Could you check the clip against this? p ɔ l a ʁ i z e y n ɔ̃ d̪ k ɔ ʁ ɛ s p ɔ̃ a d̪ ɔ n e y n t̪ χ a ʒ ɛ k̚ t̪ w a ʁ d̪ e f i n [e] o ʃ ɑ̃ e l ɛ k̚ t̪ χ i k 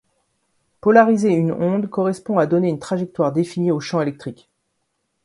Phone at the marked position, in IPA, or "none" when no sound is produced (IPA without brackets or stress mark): i